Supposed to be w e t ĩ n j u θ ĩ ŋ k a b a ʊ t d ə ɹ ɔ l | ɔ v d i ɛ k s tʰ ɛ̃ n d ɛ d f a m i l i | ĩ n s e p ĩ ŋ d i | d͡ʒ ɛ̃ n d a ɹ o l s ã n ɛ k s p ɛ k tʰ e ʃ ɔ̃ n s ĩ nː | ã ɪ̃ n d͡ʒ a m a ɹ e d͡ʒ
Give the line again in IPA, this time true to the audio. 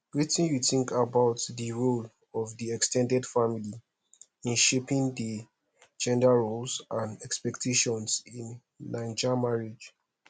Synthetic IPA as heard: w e t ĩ n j u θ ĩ ŋ k a b a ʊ t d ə ɹ o l | ɔ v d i ɛ k s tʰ ɛ̃ n d ɛ d f a m i l i | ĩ n ʃ e p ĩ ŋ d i | d͡ʒ ɛ̃ n d a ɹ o l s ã n ɛ k s p ɛ k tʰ e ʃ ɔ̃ n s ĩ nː | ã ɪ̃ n d͡ʒ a m a ɹ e d͡ʒ